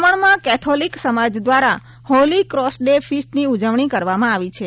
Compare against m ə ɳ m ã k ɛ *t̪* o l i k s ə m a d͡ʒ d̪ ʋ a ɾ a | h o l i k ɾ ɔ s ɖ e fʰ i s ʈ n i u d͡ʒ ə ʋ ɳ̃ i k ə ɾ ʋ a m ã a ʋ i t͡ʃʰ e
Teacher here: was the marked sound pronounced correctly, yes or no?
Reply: no